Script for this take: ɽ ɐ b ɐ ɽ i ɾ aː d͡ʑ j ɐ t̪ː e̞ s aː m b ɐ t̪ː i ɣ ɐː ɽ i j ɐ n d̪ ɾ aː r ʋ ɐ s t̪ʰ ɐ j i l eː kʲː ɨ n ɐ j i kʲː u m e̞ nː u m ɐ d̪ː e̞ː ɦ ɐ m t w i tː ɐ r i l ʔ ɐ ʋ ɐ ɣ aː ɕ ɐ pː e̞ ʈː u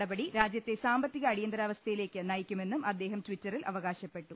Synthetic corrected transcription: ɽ ɐ b ɐ ɽ i ɾ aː d͡ʑ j ɐ t̪ː e̞ s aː m b ɐ t̪ː i ɣ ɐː ɽ i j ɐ n d̪ ɾ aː ʋ ɐ s t̪ʰ ɐ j i l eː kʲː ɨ n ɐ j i kʲː u m e̞ nː u m ɐ d̪ː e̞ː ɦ ɐ m t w i tː ɐ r i l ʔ ɐ ʋ ɐ ɣ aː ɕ ɐ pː e̞ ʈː u